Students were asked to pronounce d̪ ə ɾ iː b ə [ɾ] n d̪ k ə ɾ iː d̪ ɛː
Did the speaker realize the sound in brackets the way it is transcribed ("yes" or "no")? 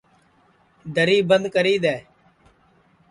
no